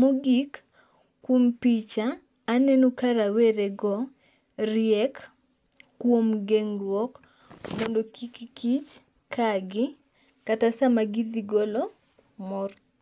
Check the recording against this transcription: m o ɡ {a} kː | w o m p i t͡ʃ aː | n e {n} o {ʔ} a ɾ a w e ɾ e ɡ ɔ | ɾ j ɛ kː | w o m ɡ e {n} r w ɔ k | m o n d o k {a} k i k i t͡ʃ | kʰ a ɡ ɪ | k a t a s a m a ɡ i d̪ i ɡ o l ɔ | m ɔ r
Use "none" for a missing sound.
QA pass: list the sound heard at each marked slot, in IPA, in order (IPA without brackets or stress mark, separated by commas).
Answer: i, n, k, ŋ, i